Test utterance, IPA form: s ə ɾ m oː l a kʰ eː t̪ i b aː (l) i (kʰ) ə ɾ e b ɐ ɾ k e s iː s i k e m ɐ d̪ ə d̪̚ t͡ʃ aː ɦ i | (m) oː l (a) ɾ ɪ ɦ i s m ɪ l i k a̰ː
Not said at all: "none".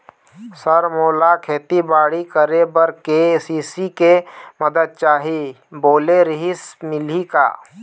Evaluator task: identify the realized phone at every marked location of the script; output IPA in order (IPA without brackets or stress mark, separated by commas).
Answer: ɽ, k, b, e